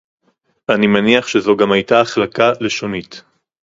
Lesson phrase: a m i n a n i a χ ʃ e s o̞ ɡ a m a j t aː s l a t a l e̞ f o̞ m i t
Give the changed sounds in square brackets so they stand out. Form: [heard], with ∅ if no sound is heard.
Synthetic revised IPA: a [n] i [m] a n i a χ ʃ e [z] o̞ ɡ a m a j t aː [χ] l a [k] a l e̞ [ʃ] o̞ [n] i t